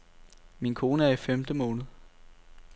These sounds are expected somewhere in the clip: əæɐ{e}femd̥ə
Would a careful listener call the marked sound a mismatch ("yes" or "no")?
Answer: yes